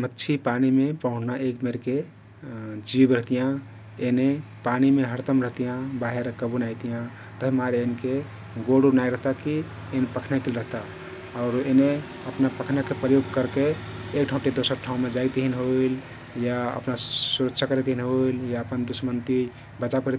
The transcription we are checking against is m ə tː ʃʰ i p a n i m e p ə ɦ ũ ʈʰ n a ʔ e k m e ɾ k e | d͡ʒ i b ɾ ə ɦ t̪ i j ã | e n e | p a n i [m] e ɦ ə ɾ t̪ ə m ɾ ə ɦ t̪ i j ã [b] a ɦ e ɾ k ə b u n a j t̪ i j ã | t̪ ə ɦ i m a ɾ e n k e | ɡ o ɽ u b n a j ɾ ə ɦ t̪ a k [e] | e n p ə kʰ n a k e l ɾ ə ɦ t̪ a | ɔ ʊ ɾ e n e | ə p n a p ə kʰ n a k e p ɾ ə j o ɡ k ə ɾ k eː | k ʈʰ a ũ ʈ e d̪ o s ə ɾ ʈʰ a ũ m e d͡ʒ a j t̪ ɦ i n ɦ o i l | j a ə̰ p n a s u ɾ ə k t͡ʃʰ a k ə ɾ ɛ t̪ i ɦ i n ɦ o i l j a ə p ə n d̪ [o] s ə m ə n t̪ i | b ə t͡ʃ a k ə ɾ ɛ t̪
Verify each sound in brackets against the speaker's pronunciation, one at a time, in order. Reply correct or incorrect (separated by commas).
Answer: correct, correct, incorrect, incorrect